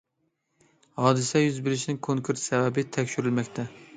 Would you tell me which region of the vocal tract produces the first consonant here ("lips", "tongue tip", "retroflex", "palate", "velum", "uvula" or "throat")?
throat